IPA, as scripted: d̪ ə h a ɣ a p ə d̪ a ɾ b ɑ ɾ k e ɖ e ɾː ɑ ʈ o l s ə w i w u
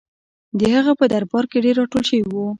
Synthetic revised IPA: d̪ ə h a ɣ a p ə d̪ a ɾ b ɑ ɾ k e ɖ e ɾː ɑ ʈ o l ʃ ə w i w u